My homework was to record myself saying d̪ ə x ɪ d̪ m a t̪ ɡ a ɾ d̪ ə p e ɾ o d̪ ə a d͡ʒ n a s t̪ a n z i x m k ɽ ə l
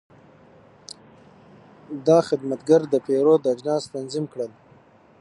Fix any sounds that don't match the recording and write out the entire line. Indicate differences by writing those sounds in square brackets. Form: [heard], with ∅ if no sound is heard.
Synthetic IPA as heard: d̪ [ɑ] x ɪ d̪ m a t̪ ɡ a ɾ d̪ ə p e ɾ o d̪ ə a d͡ʒ n [ɑ] s t̪ a n z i [∅] m k ɽ ə l